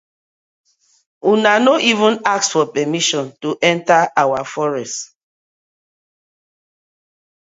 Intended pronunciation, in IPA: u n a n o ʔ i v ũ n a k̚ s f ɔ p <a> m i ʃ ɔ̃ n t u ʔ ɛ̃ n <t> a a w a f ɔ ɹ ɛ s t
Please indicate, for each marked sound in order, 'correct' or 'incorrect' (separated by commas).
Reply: incorrect, correct